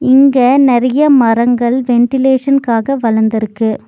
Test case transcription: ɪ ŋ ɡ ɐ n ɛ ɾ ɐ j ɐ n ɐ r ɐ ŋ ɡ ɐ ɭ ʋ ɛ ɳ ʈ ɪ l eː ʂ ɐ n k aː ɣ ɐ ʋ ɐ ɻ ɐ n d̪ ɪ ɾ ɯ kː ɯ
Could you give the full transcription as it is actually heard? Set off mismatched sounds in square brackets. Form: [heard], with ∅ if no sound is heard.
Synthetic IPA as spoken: ɪ ŋ ɡ ɐ n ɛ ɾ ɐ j ɐ [m] ɐ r ɐ ŋ ɡ ɐ ɭ ʋ ɛ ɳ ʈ ɪ l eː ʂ ɐ n k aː ɣ ɐ ʋ ɐ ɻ ɐ n d̪ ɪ ɾ ɯ kː ɯ